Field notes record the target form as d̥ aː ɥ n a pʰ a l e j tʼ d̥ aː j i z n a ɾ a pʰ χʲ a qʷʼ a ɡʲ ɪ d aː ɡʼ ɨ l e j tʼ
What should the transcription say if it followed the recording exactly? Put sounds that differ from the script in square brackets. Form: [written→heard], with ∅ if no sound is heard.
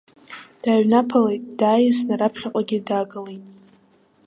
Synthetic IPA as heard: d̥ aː ɥ n a pʰ a l e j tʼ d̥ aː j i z n a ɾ a pʰ χʲ a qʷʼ a ɡʲ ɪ d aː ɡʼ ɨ l e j tʼ